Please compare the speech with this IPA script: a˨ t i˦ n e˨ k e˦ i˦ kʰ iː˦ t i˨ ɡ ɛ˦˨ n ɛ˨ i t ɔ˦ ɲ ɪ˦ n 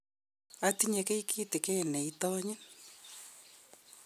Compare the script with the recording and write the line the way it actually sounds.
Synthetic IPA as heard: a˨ t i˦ ɲ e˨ k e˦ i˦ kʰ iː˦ t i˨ k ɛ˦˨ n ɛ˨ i t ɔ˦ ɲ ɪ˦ n